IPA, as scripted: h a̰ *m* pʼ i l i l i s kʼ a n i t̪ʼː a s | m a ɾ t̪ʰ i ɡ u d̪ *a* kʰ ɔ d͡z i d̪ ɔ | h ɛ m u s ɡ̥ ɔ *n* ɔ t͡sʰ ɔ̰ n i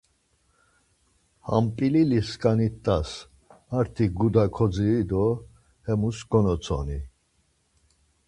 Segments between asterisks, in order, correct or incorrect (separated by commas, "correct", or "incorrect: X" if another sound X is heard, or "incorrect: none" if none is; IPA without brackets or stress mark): correct, correct, correct